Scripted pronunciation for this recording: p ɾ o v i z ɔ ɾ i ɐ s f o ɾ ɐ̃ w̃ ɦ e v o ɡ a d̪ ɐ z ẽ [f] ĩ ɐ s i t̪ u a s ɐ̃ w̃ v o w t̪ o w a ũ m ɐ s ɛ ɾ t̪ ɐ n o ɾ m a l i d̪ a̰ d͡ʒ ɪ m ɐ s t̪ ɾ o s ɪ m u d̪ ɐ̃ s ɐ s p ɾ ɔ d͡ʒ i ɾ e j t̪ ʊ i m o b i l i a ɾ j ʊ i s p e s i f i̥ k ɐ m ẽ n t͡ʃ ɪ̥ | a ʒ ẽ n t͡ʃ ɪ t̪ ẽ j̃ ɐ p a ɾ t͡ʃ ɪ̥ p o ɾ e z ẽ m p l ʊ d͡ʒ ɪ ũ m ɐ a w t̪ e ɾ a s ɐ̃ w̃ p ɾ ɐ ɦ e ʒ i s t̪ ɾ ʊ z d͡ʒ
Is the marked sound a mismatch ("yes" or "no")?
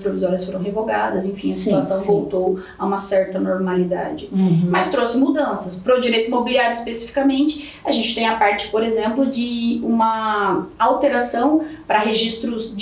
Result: no